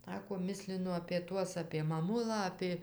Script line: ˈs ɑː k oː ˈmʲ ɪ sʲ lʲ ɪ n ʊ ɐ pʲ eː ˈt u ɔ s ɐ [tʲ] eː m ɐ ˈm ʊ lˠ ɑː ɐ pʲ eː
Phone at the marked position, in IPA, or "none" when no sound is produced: pʲ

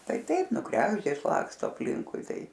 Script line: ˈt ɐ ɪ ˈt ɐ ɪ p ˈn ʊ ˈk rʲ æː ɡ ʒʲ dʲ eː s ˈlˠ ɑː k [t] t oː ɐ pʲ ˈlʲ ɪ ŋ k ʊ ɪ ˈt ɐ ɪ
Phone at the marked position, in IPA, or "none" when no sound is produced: s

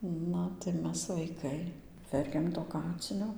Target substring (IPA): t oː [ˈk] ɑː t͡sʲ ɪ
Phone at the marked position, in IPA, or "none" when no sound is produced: k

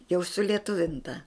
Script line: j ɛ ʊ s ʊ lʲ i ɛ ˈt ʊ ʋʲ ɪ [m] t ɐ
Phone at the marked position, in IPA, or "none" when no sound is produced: n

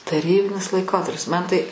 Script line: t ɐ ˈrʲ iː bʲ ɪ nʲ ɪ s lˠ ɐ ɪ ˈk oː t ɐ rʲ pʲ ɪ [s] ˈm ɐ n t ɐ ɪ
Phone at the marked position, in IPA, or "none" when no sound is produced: s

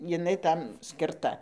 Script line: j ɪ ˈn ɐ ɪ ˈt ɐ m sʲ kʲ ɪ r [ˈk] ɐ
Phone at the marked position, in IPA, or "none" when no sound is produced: t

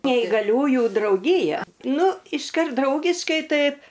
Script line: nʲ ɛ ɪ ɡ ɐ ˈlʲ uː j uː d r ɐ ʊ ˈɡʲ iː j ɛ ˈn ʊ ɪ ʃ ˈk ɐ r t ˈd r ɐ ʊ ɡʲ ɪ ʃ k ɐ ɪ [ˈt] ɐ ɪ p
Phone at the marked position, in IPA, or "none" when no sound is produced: t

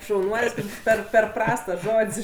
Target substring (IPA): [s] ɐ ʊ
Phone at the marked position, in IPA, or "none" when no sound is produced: ʃ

